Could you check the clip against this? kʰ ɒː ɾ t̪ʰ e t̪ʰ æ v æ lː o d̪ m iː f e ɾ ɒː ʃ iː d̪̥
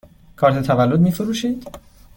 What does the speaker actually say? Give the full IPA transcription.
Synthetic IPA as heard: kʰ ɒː ɾ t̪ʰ e t̪ʰ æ v æ lː o d̪ m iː f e ɾ uː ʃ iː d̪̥